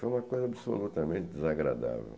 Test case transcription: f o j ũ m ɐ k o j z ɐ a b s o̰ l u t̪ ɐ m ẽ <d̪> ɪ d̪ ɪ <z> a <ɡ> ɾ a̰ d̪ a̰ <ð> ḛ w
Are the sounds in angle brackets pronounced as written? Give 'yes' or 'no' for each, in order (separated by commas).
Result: no, yes, yes, no